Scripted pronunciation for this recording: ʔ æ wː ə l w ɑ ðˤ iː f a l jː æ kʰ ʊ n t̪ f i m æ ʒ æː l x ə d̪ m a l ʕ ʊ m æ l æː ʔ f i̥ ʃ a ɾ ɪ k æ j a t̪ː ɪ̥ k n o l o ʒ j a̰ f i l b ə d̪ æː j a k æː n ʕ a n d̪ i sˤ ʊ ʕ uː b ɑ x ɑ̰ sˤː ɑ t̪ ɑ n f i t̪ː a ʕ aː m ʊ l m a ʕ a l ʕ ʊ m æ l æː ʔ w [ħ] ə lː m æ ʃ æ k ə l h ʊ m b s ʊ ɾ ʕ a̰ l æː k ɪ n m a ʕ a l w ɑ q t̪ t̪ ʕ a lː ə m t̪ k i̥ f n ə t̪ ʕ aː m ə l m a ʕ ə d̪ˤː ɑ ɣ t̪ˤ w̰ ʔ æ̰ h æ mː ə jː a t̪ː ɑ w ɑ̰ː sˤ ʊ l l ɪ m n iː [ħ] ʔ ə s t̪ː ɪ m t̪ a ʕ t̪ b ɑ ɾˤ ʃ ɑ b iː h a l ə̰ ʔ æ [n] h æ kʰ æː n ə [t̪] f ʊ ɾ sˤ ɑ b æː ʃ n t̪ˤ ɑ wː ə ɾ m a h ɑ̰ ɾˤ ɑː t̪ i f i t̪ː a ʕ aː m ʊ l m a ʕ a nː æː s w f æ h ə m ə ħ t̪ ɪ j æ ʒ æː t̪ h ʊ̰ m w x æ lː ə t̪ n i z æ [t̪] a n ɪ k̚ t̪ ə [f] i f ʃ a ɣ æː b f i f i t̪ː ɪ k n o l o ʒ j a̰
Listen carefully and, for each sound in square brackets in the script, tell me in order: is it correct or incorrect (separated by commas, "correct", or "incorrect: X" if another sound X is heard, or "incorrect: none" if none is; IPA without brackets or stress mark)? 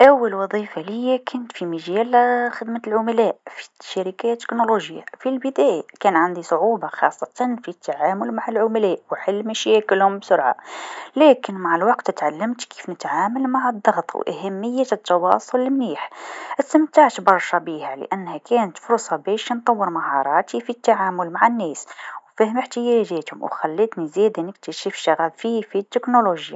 correct, correct, incorrect: nː, correct, incorrect: d̪, incorrect: ʃ